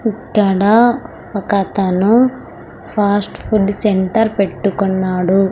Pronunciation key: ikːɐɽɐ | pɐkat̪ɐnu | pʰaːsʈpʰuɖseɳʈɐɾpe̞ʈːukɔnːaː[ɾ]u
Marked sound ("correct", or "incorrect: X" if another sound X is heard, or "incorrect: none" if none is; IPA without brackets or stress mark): incorrect: ɽ